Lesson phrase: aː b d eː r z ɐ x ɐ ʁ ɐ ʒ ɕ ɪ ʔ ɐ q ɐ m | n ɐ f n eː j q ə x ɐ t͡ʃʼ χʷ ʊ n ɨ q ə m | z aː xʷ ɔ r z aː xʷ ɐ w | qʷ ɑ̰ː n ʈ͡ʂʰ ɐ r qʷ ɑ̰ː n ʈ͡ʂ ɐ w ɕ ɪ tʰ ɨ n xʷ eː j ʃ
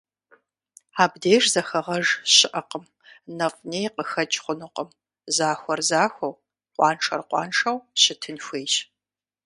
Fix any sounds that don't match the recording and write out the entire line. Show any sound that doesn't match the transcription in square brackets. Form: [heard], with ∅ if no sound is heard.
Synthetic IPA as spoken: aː b d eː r z ɐ x ɐ ʁ ɐ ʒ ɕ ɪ ʔ ɐ q [ə] m | n ɐ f n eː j q ə x ɐ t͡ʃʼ χʷ ʊ n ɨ q ə m | z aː xʷ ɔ r z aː xʷ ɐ w | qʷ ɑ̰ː n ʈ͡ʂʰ ɐ r qʷ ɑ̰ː n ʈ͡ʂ ɐ w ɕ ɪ tʰ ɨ n xʷ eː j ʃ